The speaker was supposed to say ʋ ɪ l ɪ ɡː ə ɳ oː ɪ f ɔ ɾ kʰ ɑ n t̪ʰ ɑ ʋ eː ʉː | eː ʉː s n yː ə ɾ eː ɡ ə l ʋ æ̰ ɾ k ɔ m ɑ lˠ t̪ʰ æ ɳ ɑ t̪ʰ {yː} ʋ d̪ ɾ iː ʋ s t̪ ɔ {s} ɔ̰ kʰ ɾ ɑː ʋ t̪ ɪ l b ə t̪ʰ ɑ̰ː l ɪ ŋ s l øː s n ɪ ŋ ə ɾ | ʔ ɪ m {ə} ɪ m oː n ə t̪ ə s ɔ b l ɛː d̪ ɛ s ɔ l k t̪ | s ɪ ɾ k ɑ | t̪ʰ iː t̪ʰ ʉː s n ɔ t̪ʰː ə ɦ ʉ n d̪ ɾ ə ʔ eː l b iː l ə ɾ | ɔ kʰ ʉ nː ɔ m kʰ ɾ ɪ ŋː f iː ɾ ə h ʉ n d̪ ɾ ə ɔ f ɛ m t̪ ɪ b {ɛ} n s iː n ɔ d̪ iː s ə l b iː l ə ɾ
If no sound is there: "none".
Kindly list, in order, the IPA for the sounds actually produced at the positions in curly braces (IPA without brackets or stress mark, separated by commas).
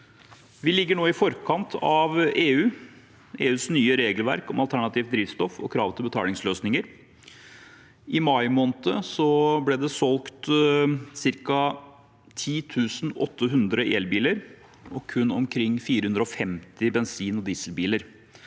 iː, f, ɑ, ɛ